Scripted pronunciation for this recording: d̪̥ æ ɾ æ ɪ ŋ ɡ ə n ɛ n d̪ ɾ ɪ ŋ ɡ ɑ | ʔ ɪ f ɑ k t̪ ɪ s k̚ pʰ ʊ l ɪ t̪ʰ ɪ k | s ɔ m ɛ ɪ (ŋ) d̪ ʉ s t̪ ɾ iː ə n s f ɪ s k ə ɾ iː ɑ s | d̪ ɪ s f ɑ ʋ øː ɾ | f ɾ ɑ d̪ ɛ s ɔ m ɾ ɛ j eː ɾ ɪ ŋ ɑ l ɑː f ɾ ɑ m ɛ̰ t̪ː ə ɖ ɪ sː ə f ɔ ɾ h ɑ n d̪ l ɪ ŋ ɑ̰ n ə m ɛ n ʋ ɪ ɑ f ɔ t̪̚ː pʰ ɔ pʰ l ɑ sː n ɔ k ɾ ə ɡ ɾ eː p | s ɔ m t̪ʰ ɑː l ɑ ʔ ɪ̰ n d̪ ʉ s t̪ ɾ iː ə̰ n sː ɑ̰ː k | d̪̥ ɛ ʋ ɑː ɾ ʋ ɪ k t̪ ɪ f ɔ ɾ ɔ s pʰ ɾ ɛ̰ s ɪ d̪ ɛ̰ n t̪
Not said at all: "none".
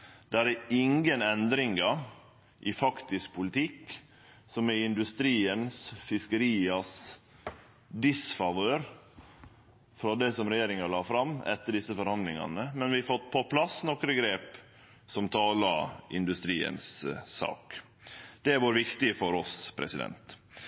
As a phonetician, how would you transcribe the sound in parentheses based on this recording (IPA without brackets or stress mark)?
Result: n